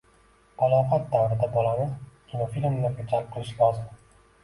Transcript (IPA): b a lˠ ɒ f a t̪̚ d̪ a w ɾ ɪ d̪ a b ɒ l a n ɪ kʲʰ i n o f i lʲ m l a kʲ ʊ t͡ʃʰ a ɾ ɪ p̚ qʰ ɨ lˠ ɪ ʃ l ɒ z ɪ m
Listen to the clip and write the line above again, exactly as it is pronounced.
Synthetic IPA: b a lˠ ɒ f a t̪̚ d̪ a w ɾ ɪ d̪ a b ɒ l a n ɪ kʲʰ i n o f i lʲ m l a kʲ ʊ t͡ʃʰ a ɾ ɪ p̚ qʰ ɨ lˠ ɪ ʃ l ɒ z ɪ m